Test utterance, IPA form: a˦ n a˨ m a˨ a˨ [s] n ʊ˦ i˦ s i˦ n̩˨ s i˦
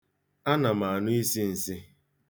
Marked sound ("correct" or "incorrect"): incorrect